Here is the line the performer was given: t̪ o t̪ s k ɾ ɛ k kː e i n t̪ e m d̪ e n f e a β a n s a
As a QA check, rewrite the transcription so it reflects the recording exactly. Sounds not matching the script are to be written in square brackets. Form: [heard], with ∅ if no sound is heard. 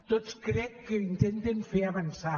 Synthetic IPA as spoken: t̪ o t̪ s k ɾ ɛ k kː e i n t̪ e [n] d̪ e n f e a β a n s a